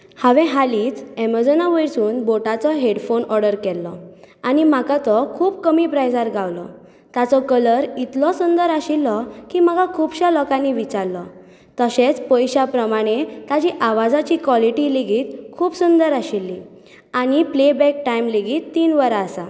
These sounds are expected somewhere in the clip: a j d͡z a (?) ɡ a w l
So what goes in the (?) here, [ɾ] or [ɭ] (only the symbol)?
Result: ɾ